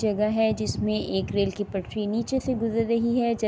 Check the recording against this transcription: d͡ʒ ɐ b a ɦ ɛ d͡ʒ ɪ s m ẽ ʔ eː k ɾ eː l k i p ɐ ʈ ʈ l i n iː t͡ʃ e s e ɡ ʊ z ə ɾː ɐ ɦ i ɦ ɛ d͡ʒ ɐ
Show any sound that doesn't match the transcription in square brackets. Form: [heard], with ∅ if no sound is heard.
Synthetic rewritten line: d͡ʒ ɐ [ɡ] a ɦ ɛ d͡ʒ ɪ s m ẽ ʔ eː k ɾ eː l k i p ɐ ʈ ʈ [ɾ] i n iː t͡ʃ e s e ɡ ʊ z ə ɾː ɐ ɦ i ɦ ɛ d͡ʒ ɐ